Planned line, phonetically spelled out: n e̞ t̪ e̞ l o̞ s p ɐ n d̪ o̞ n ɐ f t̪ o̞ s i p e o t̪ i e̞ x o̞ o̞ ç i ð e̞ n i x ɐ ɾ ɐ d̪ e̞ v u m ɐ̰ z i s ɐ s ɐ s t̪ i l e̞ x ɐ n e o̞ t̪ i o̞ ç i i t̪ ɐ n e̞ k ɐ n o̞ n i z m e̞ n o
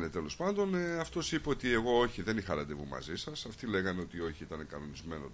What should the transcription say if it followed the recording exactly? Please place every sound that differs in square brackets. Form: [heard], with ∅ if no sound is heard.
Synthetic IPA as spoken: n e̞ t̪ e̞ l o̞ s p ɐ n d̪ o̞ n ɐ f t̪ o̞ s i p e o t̪ i e̞ [ɣ] o̞ o̞ ç i ð e̞ n i x ɐ ɾ ɐ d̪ e̞ v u m ɐ̰ z i s ɐ s ɐ [f] t̪ i l e̞ [ɣ] ɐ n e o̞ t̪ i o̞ ç i i t̪ ɐ n e̞ k ɐ n o̞ n i z m e̞ n o